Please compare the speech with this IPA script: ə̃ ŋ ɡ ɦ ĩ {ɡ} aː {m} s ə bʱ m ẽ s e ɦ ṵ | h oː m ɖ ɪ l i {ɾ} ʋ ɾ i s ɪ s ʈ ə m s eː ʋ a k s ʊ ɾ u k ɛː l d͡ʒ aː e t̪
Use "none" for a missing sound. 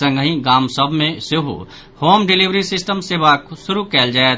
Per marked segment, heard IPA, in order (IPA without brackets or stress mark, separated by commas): ɡ, m, none